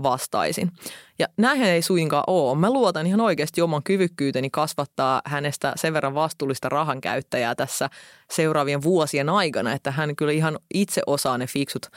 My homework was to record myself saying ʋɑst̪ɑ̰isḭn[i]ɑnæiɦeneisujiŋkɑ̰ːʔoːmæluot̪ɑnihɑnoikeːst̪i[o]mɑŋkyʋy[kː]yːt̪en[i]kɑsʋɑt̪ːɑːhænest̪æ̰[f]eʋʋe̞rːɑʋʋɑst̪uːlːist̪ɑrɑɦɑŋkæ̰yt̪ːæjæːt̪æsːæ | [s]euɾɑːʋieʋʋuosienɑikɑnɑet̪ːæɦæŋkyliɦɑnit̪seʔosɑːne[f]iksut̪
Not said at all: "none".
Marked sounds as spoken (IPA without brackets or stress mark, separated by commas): j, o, kː, i, s, s, f